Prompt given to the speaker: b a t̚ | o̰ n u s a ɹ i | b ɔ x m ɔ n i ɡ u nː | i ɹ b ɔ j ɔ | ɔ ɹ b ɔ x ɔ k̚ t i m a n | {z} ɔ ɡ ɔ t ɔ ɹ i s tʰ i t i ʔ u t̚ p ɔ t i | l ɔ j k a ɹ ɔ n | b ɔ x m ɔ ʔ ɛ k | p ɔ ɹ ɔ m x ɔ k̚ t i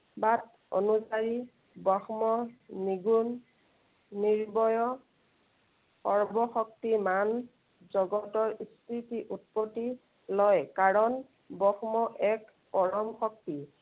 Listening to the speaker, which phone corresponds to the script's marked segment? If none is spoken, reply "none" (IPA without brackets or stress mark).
z